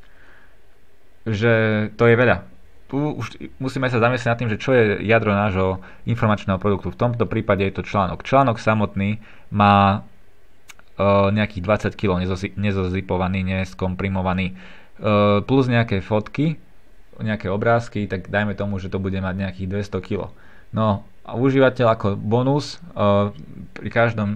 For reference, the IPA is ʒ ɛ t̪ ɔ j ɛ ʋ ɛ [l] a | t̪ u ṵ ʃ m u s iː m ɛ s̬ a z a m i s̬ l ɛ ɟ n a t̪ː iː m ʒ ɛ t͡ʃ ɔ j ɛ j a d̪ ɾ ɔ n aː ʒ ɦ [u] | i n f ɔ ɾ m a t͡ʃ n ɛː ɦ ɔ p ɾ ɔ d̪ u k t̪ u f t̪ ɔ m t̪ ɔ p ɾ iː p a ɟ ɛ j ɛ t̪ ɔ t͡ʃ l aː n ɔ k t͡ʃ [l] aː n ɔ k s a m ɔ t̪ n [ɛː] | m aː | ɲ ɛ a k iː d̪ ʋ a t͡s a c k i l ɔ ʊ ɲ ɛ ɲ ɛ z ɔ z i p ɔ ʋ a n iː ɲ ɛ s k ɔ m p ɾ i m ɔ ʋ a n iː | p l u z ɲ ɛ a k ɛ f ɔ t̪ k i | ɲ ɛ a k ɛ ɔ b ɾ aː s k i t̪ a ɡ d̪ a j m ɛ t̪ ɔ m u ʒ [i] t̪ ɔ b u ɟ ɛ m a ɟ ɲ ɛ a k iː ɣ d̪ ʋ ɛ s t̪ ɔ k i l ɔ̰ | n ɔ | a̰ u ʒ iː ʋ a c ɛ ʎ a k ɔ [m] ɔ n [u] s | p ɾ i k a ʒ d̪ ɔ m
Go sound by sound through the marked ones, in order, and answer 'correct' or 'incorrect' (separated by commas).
incorrect, incorrect, correct, incorrect, incorrect, incorrect, correct